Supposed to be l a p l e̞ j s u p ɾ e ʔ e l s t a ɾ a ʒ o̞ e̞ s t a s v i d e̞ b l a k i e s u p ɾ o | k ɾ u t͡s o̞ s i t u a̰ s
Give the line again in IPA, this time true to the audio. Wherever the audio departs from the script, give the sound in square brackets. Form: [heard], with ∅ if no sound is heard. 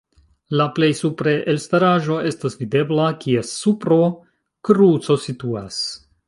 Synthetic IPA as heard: l a p l e̞ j s u p ɾ e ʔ e l s t a ɾ a ʒ o̞ e̞ s t a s v i d e̞ b l a k i e s u p ɾ o | k ɾ u t͡s o̞ s i t u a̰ s